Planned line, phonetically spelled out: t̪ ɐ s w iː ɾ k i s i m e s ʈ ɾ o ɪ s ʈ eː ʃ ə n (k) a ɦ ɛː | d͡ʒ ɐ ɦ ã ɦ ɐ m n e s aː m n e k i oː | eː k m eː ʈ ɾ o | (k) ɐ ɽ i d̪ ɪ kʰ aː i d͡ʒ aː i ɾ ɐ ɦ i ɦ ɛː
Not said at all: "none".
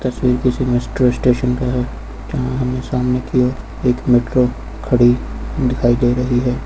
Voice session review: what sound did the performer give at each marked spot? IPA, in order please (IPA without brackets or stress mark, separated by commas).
k, kʰ